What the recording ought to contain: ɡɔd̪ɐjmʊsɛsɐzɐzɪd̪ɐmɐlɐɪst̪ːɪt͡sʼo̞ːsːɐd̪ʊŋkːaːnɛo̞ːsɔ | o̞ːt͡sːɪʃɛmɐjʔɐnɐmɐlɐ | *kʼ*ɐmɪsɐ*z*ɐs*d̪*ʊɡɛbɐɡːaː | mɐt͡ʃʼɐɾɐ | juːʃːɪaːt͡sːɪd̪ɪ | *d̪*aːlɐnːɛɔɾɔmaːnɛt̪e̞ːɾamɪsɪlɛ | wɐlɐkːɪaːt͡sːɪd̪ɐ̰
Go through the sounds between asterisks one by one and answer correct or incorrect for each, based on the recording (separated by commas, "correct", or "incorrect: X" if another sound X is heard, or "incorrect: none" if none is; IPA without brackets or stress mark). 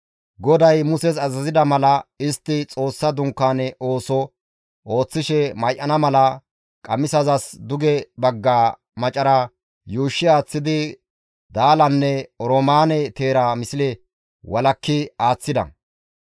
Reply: correct, correct, correct, correct